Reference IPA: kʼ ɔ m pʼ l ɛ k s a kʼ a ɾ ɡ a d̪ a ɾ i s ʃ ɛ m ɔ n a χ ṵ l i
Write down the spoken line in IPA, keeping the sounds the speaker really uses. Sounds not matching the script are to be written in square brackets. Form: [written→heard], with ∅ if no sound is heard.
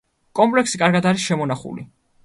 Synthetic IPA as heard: kʼ ɔ m pʼ l ɛ k s [a→i] kʼ a ɾ ɡ a d̪ a ɾ i s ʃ ɛ m ɔ n a χ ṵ l i